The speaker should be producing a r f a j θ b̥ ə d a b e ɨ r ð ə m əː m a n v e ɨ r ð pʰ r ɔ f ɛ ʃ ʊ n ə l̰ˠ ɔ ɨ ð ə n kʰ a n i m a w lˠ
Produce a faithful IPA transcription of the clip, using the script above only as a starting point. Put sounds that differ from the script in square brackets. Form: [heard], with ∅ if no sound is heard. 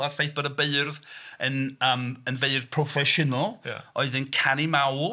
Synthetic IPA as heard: a r f [e] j θ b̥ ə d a b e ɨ r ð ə [n] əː m [ə] n v e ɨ r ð pʰ r ɔ f ɛ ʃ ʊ n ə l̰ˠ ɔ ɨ ð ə n kʰ a n i m a w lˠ